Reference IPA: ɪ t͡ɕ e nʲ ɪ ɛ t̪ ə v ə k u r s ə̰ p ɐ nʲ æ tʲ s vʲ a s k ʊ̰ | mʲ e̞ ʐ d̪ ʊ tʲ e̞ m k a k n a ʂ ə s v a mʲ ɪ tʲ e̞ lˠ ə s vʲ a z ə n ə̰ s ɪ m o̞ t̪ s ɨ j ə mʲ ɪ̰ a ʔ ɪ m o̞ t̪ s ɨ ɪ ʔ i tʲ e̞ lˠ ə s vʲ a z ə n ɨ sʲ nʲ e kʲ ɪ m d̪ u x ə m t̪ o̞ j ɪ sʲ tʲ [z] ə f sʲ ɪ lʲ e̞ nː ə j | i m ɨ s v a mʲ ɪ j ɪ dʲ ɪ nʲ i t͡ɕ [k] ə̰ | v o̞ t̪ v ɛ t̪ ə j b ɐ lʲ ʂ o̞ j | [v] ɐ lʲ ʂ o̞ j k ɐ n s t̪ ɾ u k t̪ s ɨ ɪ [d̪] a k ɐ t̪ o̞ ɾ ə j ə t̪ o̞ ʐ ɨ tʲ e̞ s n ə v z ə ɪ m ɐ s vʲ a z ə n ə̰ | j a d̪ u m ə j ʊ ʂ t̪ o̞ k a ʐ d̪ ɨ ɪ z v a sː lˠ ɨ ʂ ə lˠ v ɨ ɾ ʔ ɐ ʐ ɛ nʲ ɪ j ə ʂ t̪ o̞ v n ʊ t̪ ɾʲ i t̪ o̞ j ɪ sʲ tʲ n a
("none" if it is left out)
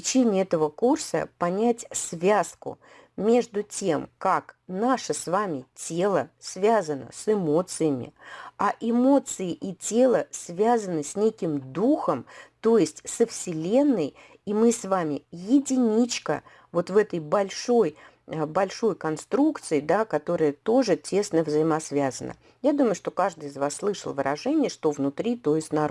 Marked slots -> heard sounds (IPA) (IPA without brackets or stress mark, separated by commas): s, k, b, d̪